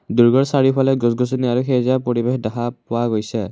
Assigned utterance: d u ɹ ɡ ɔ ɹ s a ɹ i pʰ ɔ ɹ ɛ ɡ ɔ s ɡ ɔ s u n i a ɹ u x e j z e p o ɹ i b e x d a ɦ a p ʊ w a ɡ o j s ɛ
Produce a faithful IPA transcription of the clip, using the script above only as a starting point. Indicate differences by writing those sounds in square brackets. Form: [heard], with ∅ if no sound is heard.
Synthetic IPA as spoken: d u ɹ ɡ ɔ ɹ s a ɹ i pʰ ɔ [l] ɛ ɡ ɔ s ɡ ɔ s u n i a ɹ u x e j z [a] p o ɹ i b e x d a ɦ a p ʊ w a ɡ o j s ɛ